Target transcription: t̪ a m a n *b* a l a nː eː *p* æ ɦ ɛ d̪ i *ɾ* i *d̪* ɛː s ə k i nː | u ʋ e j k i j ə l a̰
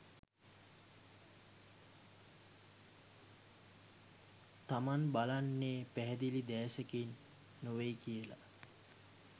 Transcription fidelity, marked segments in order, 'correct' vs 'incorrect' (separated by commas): correct, correct, incorrect, correct